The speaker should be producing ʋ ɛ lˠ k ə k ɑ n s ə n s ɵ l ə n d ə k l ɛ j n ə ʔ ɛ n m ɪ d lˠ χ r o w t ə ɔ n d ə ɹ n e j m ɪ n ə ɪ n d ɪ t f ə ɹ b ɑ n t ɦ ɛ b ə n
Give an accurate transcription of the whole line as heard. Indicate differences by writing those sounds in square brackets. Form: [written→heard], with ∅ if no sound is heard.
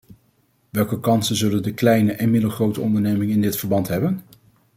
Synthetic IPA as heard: ʋ ɛ lˠ k ə k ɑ n s ə n [s→z] ɵ l ə n d ə k l ɛ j n ə ʔ ɛ n m ɪ d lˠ χ r o w t ə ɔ n d ə ɹ n e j m ɪ [n→ŋ] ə ɪ n d ɪ t f ə ɹ b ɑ n t ɦ ɛ b ə n